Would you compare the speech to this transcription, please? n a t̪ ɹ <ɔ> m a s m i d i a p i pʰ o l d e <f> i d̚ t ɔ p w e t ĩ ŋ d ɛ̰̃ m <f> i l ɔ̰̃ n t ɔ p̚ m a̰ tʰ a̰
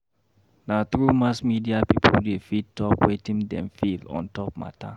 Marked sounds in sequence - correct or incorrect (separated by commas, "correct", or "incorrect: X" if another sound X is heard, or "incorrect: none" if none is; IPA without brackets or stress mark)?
incorrect: u, correct, correct